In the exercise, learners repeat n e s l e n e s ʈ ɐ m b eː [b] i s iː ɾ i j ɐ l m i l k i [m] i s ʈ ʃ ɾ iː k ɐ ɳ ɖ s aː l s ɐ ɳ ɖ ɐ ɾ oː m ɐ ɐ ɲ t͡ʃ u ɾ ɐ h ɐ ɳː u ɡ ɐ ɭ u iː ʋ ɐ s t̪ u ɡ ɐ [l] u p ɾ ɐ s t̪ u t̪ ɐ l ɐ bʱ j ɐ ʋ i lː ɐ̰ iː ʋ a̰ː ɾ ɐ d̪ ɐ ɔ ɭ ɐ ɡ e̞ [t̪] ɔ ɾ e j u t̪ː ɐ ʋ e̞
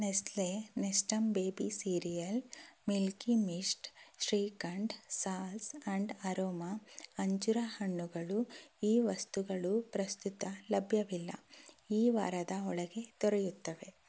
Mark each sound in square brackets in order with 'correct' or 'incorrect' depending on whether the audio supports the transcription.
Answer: correct, correct, incorrect: ɭ, correct

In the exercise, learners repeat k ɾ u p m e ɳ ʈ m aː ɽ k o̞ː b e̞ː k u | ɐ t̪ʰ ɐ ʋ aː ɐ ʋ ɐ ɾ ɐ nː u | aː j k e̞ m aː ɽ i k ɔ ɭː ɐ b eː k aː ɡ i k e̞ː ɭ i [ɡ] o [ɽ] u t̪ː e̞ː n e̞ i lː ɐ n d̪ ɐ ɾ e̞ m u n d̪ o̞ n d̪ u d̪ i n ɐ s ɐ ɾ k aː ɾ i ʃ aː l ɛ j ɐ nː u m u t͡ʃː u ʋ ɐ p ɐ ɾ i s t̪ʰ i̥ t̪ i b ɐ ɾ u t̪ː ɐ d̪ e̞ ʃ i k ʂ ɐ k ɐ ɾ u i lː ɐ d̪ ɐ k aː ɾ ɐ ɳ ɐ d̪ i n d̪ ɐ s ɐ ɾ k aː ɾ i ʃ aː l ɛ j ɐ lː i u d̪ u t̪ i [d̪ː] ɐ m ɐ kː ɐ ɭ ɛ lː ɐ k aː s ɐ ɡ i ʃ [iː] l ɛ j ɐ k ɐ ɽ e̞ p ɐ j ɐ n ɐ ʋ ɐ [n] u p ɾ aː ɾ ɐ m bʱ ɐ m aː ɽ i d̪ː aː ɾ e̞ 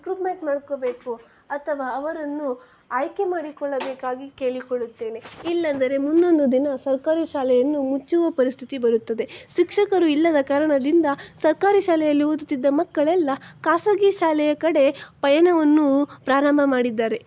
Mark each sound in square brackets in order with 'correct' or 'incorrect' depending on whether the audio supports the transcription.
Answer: incorrect: k, incorrect: ɭ, correct, incorrect: aː, incorrect: nː

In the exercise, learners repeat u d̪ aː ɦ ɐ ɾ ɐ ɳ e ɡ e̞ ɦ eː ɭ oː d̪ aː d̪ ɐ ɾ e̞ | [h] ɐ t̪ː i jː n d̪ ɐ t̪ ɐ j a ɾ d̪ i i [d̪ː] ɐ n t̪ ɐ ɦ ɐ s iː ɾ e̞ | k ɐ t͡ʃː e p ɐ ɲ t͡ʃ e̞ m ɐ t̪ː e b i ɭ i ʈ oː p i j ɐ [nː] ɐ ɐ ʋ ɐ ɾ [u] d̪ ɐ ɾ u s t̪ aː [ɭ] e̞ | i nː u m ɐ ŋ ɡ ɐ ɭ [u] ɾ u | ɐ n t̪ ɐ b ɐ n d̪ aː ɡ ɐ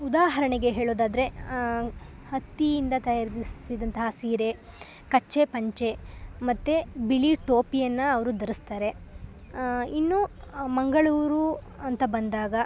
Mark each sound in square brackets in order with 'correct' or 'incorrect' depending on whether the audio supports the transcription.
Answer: correct, incorrect: d̪, correct, correct, incorrect: ɾ, incorrect: uː

